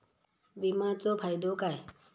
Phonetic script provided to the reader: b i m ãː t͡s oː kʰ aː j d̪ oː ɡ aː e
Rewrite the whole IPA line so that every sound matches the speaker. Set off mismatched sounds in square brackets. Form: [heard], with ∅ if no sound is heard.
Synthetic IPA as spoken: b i m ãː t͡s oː [pʰ] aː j d̪ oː [k] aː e